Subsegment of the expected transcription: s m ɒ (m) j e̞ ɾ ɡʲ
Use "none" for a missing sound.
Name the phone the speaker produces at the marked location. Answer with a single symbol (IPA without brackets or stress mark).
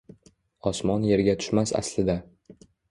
n